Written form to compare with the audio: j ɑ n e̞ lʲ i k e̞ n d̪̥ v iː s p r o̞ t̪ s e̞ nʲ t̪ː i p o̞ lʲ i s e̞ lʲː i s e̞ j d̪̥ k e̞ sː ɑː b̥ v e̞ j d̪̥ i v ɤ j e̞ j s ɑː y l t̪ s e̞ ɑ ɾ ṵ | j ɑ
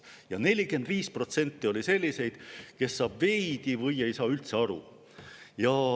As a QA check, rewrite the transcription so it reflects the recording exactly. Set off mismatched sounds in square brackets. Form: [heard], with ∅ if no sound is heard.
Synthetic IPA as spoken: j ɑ n e̞ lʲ i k e̞ n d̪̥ v iː s p r o̞ t̪ s e̞ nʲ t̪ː i [∅] o̞ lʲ i s e̞ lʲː i s e̞ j d̪̥ k e̞ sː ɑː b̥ v e̞ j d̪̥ i v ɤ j e̞ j s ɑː y l t̪ s e̞ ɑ ɾ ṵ | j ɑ